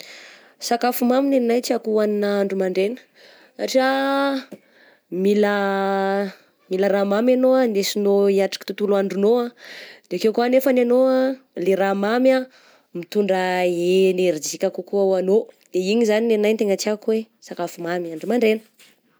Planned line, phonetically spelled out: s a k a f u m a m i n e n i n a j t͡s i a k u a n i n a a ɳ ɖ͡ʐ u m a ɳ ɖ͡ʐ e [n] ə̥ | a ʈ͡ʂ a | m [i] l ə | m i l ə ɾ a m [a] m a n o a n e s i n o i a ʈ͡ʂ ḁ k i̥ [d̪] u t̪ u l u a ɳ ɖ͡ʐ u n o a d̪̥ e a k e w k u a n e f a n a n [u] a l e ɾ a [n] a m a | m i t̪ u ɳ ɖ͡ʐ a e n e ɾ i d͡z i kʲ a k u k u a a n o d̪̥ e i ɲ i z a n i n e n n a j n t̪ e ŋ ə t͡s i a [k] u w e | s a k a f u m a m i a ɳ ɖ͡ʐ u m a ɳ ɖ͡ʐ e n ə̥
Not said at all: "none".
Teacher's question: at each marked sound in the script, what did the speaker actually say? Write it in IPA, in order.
n, i, a, t̪, o, m, k

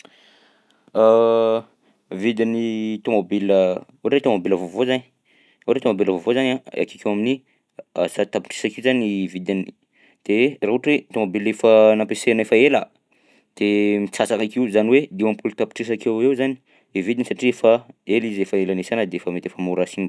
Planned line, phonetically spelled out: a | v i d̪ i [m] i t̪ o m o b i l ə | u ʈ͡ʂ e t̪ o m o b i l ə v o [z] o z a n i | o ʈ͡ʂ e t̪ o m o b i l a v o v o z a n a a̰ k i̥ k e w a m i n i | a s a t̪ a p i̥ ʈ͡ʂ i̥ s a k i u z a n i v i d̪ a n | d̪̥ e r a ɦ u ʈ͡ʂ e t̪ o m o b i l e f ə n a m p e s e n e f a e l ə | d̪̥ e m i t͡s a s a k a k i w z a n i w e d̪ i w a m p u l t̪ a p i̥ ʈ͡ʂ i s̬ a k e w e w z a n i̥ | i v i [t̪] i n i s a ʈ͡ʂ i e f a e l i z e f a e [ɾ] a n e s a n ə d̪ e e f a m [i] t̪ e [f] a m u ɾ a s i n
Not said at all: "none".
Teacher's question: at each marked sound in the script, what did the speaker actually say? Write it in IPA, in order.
n, v, d̪, l, e, f

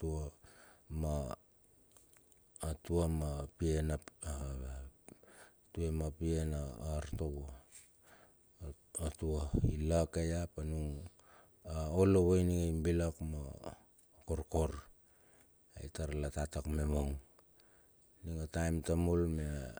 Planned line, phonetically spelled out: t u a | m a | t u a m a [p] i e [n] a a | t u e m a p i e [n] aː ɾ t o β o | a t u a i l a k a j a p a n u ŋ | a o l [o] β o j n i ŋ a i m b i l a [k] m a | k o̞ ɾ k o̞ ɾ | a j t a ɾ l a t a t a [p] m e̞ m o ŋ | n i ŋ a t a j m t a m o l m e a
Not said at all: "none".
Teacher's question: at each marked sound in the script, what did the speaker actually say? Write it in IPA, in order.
p, n, n, o, k, k

